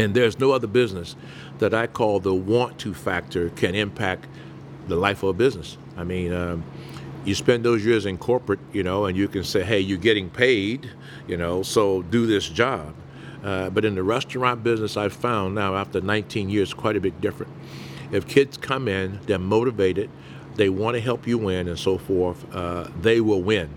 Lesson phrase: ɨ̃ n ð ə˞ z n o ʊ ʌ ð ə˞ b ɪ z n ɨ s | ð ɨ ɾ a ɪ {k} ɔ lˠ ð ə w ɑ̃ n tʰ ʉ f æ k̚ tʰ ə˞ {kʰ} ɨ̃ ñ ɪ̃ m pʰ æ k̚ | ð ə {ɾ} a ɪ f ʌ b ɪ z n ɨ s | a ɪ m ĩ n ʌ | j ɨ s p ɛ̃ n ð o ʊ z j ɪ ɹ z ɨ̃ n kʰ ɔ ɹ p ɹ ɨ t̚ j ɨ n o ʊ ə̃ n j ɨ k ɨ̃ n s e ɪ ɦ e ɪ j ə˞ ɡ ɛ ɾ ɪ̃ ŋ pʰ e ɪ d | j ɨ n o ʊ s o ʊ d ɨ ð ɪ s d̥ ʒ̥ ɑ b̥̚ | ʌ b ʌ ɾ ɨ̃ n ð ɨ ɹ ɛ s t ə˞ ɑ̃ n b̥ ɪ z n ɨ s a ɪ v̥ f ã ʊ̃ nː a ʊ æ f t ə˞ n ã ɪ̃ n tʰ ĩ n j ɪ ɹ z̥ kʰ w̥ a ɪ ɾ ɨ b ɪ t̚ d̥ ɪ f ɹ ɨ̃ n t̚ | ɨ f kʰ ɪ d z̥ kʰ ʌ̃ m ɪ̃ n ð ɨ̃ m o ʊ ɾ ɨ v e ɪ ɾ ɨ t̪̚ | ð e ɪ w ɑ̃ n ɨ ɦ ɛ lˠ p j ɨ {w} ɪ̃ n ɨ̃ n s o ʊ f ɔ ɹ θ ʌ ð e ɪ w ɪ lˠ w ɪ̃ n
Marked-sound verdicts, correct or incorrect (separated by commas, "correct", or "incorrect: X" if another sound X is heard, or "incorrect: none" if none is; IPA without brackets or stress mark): incorrect: kʰ, correct, incorrect: l, correct